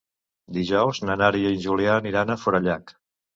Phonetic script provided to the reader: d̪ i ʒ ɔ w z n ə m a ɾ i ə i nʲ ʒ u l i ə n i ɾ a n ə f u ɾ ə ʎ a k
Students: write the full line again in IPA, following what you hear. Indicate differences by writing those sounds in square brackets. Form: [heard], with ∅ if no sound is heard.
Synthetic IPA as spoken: d̪ i ʒ ɔ w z n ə [n] a ɾ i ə i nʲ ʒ u l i [a] n i ɾ a n ə f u ɾ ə ʎ a k

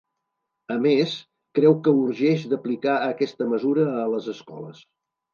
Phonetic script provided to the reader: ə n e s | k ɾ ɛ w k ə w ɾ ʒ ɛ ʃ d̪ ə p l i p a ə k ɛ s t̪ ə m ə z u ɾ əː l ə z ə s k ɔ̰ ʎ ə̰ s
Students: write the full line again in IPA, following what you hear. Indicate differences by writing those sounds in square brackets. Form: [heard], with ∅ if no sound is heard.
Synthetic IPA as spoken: ə [m] e s | k ɾ ɛ w k ə [u] ɾ ʒ ɛ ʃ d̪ ə p l i [k] a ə k ɛ s t̪ ə m ə z u ɾ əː l ə z ə s k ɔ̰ [l] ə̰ s

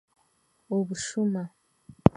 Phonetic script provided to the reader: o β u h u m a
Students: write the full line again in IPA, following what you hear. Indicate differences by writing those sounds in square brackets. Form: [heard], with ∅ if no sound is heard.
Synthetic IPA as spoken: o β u [ʃ] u m a

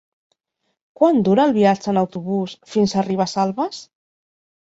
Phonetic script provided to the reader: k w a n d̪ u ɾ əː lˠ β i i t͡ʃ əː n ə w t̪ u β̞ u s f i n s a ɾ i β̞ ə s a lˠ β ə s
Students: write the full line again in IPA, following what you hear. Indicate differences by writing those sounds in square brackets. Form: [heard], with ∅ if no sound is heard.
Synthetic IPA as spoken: k w a n d̪ u ɾ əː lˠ β i [a] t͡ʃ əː n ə w t̪ u β̞ u s f i n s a [r] i β̞ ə s a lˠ β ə s

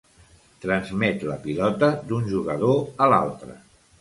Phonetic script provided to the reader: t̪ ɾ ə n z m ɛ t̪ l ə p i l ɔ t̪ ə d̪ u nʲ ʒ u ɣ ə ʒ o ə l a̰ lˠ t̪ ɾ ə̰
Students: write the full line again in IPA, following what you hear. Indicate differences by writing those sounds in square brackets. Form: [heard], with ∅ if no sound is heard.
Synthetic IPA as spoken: t̪ ɾ ə n z m ɛ t̪ l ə p i l ɔ t̪ ə d̪ u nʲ ʒ u ɣ ə [ð] o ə l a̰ lˠ t̪ ɾ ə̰

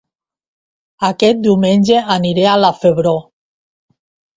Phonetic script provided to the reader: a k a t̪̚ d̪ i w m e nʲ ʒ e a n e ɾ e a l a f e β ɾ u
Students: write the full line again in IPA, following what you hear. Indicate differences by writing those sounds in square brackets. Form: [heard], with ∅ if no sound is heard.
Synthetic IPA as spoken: a k [ɛ] t̪̚ d̪ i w m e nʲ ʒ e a n [i] ɾ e a l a f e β ɾ [o]

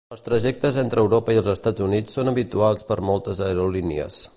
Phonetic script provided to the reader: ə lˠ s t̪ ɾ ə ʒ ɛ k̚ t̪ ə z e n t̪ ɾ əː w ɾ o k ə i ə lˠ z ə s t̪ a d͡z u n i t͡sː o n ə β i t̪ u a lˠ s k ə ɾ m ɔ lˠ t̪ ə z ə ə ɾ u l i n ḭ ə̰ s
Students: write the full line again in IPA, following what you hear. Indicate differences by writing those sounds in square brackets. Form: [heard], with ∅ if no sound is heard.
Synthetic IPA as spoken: ə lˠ s t̪ ɾ ə ʒ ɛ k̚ t̪ ə z e n t̪ ɾ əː w ɾ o [p] ə i ə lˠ z ə s t̪ a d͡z u n i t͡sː o n ə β i t̪ u a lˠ s [p] ə ɾ m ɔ lˠ t̪ ə z ə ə ɾ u l i n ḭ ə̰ s

